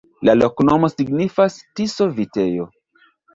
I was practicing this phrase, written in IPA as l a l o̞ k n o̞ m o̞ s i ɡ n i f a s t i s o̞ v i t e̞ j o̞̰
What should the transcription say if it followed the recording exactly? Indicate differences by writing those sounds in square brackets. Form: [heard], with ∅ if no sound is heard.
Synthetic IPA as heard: l a l o̞ k n o̞ m o̞ s i ɡ n i f a s t i s o̞ v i t e̞ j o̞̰